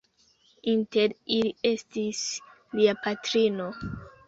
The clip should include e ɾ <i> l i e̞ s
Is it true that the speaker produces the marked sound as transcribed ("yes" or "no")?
yes